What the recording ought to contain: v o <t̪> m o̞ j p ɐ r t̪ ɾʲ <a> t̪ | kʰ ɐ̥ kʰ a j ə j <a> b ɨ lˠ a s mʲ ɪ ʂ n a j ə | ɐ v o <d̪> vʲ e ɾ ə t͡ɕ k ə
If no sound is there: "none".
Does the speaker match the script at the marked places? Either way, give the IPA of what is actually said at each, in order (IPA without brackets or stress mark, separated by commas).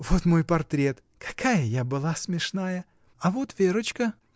t̪, e, a, t̪